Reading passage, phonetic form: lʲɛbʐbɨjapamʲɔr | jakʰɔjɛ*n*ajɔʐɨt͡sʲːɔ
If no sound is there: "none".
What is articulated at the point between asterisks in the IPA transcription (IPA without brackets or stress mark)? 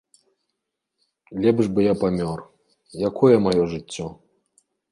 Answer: m